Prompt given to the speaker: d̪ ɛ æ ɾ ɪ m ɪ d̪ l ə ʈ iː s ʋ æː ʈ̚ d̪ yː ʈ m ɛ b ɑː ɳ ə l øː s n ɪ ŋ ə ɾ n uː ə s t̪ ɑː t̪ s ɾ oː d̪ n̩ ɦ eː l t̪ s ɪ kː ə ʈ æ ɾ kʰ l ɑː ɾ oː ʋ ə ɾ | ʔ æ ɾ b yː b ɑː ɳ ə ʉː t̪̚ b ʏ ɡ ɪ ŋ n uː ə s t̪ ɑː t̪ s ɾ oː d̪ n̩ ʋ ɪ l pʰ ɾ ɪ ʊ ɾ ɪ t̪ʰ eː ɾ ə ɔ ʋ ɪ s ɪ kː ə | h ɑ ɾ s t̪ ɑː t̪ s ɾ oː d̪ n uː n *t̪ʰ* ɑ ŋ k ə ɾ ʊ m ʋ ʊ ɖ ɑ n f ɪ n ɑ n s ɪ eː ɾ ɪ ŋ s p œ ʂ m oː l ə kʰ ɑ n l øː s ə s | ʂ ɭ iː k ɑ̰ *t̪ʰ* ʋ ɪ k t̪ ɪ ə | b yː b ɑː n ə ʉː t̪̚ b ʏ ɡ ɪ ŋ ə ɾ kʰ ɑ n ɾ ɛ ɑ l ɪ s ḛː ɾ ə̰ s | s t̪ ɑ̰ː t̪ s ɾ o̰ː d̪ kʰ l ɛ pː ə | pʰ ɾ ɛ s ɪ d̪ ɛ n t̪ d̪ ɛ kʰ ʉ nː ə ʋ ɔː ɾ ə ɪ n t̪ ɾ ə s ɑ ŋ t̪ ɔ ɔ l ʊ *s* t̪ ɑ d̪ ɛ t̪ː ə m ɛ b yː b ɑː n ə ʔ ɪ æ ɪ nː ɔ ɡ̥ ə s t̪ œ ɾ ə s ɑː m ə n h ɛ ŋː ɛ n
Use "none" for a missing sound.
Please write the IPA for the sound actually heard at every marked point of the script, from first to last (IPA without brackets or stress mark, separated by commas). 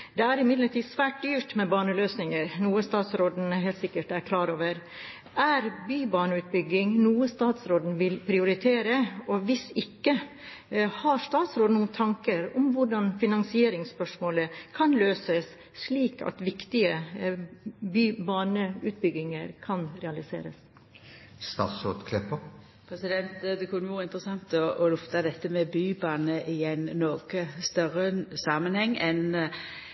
t̪ʰ, t̪, f